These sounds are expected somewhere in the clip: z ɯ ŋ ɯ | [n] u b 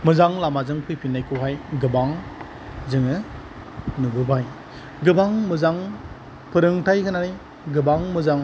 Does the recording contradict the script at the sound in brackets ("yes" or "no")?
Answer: no